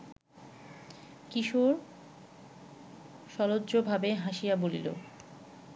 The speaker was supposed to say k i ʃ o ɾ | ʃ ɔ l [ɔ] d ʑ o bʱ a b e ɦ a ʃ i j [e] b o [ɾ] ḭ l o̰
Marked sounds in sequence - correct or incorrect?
incorrect: o, incorrect: a, incorrect: l

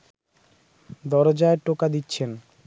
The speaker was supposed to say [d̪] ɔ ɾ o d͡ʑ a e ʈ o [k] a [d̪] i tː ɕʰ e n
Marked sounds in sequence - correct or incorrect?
correct, correct, correct

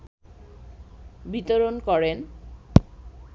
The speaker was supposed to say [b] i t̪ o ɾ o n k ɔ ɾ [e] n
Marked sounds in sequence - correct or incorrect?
correct, correct

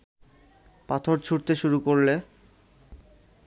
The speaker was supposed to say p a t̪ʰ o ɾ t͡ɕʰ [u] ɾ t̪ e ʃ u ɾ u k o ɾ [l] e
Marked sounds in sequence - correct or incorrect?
correct, correct

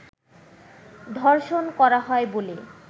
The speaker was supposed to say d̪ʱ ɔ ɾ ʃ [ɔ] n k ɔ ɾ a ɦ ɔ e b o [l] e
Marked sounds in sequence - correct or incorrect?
incorrect: o, correct

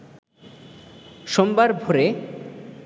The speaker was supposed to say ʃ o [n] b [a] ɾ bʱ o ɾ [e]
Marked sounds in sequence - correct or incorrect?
incorrect: m, correct, correct

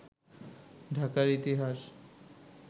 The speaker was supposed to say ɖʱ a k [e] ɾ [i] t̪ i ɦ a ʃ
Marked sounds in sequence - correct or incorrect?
incorrect: a, correct

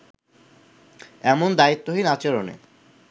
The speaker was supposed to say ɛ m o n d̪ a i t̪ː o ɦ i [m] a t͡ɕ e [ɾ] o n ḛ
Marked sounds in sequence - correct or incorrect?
incorrect: n, correct

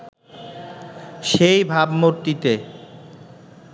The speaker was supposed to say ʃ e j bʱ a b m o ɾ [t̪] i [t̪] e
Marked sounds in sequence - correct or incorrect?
correct, correct

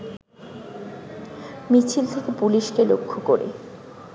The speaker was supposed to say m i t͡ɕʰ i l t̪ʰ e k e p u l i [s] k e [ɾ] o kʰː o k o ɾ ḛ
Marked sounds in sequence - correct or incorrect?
incorrect: ʃ, incorrect: l

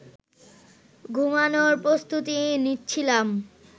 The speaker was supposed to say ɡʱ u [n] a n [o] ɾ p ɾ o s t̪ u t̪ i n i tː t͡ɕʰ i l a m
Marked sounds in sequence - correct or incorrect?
incorrect: m, correct

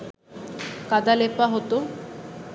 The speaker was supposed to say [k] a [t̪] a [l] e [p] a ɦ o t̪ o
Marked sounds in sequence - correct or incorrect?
correct, incorrect: d̪, correct, correct

